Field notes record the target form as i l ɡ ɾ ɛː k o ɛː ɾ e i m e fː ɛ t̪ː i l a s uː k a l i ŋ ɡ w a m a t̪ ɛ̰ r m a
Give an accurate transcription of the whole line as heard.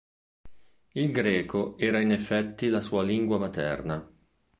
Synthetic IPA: i l ɡ ɾ ɛː k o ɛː ɾ a i n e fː ɛ t̪ː i l a s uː a l i ŋ ɡ w a m a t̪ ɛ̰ r n a